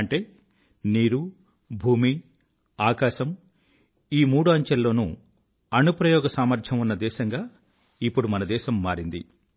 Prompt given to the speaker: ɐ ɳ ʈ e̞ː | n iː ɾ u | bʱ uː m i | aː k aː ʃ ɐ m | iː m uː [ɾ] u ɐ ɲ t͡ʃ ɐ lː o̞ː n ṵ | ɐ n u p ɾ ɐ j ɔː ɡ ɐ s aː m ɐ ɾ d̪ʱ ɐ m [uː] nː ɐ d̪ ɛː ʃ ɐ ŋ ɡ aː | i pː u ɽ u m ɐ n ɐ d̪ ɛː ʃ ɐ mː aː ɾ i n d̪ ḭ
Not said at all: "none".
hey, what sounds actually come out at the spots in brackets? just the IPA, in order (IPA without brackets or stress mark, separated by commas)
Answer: ɽ, u